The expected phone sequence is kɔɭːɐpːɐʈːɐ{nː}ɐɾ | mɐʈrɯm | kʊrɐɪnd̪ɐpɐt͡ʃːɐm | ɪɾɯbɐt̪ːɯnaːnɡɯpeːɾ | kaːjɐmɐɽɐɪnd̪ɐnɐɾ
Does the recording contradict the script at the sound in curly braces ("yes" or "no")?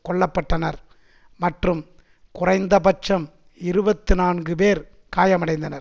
yes